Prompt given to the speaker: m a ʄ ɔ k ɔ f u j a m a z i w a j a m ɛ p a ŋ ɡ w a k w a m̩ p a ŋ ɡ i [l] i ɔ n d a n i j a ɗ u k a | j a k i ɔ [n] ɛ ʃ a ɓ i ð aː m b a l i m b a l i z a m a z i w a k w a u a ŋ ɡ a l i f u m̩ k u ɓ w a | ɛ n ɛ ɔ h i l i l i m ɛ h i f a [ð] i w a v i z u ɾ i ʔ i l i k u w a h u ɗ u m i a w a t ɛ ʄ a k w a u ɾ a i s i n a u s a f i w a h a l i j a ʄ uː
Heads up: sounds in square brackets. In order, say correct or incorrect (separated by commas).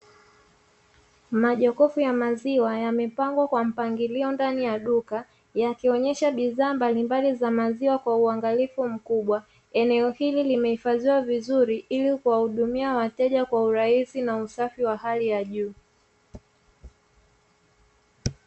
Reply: correct, incorrect, incorrect